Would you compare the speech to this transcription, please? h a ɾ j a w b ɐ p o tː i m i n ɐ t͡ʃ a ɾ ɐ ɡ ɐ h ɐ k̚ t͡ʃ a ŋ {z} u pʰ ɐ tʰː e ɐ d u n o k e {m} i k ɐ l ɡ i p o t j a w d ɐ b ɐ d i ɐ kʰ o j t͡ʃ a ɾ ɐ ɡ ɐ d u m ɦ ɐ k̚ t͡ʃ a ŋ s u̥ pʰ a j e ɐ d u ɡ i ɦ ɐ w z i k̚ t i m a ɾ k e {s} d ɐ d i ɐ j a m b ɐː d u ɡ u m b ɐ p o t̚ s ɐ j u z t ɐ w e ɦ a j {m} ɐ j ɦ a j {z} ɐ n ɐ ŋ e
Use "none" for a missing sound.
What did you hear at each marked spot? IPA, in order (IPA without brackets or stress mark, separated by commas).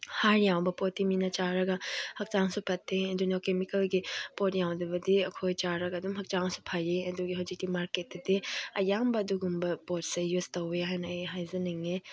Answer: s, m, t, n, z